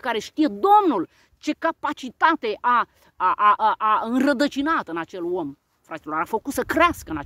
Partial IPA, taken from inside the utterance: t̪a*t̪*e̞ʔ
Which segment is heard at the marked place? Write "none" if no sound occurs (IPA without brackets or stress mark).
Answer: t̪